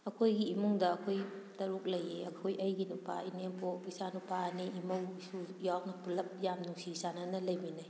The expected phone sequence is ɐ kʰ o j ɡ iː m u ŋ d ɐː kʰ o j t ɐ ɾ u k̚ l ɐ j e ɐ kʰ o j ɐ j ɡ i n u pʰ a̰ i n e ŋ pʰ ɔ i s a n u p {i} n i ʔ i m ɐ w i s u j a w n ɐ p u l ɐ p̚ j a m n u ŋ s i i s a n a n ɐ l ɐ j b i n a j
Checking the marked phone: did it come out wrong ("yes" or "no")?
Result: yes